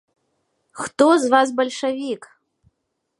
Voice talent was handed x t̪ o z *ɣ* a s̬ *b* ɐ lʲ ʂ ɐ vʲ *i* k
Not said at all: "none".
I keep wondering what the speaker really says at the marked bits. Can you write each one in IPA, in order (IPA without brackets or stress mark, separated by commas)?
v, b, i